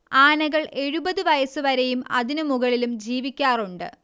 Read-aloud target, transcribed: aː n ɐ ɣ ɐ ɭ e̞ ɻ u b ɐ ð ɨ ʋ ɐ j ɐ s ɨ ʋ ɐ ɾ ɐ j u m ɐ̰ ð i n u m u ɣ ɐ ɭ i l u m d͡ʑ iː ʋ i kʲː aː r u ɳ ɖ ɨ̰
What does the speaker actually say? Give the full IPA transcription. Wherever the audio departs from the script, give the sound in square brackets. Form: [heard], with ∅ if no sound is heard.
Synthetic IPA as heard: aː n ɐ ɣ ɐ ɭ e̞ ɻ u b ɐ ð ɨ ʋ ɐ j ɐ s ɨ ʋ ɐ ɾ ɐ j u m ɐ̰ ð i n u m u ɣ ɐ ɭ i l u m d͡ʑ iː ʋ i kʲː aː r u ɳ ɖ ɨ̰

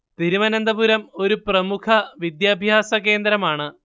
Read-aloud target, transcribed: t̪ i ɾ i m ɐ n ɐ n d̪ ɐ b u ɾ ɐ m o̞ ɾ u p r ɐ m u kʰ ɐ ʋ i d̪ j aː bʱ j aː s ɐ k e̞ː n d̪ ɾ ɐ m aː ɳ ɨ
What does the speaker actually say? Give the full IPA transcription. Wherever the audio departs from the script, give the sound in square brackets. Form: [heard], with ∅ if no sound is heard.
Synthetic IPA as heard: t̪ i ɾ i m ɐ n ɐ n d̪ ɐ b u ɾ ɐ m o̞ ɾ u p r ɐ m u kʰ ɐ ʋ i d̪ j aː bʱ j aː s ɐ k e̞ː n d̪ ɾ ɐ m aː ɳ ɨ

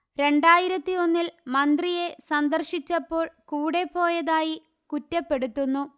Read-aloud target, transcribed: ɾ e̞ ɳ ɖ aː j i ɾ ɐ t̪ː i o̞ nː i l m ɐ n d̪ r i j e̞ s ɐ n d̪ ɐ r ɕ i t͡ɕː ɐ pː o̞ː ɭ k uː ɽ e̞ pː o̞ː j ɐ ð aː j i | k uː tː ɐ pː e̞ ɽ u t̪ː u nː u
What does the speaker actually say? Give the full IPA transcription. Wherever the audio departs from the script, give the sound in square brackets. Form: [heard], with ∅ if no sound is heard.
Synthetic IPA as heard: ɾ e̞ ɳ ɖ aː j i ɾ ɐ t̪ː i o̞ nː i l m ɐ n d̪ r i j e̞ s ɐ n d̪ ɐ r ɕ i t͡ɕː ɐ pː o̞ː ɭ k uː ɽ e̞ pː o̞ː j ɐ ð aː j i | k [u] tː ɐ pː e̞ ɽ u t̪ː u nː u

